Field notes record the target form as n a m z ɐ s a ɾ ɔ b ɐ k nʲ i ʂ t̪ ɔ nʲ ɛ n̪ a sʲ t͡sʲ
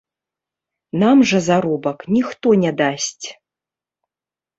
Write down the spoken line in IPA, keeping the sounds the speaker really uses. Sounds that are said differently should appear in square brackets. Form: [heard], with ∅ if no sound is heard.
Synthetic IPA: n a m [ʐ] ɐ [z] a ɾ ɔ b ɐ k nʲ i [x] t̪ ɔ nʲ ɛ [d̪] a sʲ t͡sʲ